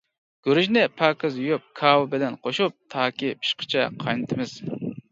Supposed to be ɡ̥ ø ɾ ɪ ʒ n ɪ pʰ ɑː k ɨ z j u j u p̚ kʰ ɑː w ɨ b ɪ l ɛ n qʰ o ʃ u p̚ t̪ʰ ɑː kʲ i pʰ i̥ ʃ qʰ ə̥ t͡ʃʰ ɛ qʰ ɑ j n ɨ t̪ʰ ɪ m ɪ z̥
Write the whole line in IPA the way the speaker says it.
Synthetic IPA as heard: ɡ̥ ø ɾ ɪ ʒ n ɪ pʰ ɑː k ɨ z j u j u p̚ kʰ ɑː w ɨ b ɪ l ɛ n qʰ o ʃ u p̚ t̪ʰ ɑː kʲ i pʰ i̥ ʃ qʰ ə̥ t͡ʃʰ ɛ qʰ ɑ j n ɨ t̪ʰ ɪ m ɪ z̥

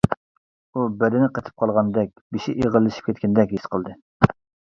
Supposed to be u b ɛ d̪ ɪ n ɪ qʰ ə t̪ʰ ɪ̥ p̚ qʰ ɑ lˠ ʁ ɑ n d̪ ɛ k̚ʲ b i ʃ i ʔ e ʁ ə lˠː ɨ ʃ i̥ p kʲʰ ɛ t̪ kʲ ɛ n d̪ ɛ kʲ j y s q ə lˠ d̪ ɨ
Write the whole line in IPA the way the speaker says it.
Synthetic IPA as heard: u b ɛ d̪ ɪ n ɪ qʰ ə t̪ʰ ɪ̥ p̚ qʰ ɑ lˠ ʁ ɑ n d̪ ɛ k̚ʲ b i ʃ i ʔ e ʁ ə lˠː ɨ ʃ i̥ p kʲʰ ɛ t̪ kʲ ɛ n d̪ ɛ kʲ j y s q ə lˠ d̪ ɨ

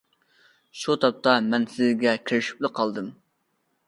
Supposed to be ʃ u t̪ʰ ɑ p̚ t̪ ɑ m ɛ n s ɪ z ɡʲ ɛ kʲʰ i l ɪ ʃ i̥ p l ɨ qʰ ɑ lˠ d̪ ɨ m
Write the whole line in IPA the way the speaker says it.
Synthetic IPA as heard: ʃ u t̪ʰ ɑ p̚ t̪ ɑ m ɛ n s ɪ z ɡʲ ɛ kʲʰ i ɾ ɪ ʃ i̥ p l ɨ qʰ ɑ lˠ d̪ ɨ m

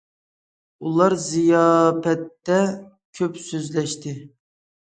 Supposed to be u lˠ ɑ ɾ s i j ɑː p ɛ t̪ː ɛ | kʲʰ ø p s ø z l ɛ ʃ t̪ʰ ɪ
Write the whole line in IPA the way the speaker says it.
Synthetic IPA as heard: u lˠ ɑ ɾ z i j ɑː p ɛ t̪ː ɛ | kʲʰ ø p s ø z l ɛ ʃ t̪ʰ ɪ

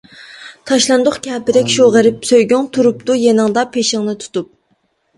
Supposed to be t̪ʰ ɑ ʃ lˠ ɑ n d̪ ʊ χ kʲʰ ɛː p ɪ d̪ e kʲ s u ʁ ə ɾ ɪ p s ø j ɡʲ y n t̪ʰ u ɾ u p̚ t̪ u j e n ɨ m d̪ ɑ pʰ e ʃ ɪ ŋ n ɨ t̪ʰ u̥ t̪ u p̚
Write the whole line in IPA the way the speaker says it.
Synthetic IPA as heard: t̪ʰ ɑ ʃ lˠ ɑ n d̪ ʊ χ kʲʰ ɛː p ɪ d̪ ɛ kʲ ʃ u ʁ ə ɾ ɪ p s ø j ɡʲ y ŋ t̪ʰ u ɾ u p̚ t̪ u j e n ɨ ŋ d̪ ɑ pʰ e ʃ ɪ ŋ n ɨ t̪ʰ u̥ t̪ u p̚

